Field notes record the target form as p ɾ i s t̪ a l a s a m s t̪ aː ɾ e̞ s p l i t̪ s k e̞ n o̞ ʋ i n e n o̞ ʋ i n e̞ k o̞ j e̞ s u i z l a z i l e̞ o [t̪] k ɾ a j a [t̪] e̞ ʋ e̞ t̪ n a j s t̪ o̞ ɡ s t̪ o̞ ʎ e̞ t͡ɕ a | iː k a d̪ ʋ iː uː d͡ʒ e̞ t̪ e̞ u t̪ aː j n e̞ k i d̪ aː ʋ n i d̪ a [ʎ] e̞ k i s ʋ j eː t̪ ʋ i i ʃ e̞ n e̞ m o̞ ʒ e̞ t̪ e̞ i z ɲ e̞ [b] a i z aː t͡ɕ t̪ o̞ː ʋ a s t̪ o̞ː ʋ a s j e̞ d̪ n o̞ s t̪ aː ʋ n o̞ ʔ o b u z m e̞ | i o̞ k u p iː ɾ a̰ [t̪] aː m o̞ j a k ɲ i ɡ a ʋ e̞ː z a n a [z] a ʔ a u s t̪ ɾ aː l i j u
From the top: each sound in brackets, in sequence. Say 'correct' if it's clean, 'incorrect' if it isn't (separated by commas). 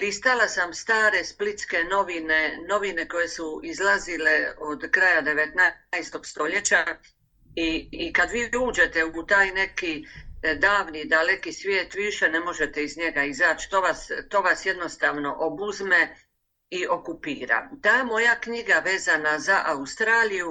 incorrect, incorrect, incorrect, incorrect, correct, correct